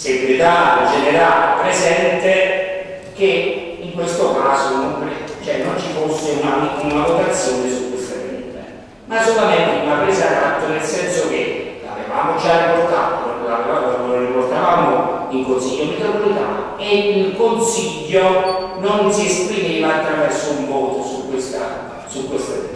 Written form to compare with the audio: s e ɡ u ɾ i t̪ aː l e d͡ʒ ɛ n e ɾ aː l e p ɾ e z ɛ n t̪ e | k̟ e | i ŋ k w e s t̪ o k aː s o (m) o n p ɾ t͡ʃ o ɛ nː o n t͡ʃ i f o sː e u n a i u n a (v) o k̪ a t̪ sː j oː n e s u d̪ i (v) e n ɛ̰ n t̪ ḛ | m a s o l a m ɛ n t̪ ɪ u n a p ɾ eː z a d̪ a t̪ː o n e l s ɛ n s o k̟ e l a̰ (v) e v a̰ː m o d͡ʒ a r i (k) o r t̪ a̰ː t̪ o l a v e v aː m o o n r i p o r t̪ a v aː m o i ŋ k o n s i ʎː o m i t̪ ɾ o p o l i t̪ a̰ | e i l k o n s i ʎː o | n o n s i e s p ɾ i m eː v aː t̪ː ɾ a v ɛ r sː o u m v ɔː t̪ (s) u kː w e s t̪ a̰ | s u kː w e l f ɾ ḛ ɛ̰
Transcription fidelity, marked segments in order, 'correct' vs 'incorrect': incorrect: n, correct, incorrect: f, correct, incorrect: p, correct

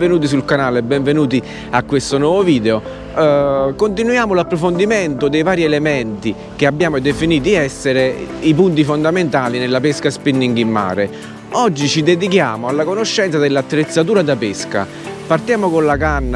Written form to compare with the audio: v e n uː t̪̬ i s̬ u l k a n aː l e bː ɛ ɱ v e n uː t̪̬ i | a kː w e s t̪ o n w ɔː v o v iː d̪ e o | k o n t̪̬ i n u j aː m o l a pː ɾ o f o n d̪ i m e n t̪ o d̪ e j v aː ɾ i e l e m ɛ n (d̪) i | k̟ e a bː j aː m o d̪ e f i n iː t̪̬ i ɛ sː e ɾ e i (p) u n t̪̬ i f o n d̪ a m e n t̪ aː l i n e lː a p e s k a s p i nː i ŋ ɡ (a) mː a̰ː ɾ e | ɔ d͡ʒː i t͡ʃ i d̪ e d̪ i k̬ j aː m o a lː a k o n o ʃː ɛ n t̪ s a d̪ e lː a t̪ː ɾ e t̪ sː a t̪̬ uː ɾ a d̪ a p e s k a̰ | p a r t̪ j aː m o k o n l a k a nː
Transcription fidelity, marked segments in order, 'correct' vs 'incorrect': incorrect: t̪, correct, incorrect: i

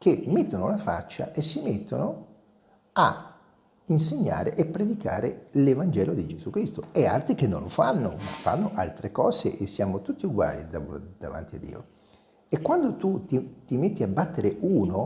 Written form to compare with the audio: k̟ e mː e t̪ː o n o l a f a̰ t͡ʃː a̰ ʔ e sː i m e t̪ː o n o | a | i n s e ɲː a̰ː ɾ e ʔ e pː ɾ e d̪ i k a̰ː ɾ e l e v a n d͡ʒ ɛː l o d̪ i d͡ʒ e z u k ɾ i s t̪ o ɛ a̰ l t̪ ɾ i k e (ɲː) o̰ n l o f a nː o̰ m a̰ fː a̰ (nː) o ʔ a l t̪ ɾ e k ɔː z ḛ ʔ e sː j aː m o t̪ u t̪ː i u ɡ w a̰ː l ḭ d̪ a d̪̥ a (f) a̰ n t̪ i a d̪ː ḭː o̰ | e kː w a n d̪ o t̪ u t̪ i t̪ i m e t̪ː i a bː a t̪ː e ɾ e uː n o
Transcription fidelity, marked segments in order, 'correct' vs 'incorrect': incorrect: nː, correct, incorrect: v

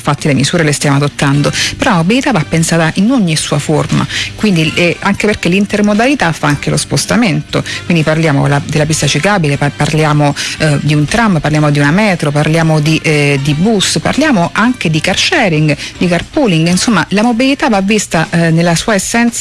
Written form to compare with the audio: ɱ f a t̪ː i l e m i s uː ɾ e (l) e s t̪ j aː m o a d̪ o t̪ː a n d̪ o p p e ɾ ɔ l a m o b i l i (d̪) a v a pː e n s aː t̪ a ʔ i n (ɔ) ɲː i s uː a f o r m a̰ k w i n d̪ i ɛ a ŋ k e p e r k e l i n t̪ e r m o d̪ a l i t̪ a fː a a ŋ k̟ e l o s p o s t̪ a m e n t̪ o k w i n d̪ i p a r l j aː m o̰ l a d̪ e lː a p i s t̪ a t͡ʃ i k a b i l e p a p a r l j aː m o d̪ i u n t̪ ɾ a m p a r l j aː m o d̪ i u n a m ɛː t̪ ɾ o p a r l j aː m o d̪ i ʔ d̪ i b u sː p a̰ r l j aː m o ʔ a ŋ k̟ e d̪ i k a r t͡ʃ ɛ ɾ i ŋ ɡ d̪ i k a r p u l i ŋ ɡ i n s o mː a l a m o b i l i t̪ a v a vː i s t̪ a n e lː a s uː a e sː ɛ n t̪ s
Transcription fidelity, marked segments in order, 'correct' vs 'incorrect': correct, incorrect: t̪, incorrect: o

